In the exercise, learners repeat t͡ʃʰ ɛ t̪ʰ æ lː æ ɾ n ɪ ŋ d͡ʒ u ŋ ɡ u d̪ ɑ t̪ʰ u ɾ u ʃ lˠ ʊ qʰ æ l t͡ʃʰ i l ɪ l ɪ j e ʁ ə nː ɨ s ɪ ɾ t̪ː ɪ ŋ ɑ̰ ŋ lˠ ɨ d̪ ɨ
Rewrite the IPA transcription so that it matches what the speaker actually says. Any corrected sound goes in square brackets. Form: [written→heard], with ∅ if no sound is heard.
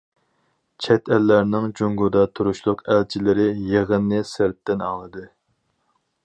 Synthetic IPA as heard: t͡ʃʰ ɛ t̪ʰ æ lː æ ɾ n ɪ ŋ d͡ʒ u ŋ ɡ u d̪ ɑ t̪ʰ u ɾ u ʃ lˠ ʊ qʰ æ l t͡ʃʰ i l ɪ [l→ɾ] ɪ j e ʁ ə nː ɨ s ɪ ɾ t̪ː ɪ [ŋ→n] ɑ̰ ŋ lˠ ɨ d̪ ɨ